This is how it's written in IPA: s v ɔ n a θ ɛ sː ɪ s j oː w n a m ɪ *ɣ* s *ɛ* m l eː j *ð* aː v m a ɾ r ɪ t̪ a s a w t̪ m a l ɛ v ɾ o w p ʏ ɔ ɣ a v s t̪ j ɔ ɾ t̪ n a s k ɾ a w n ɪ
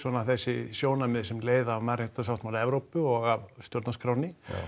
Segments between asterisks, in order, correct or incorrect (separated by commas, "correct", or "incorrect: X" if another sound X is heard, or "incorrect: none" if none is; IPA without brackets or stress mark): incorrect: ð, correct, correct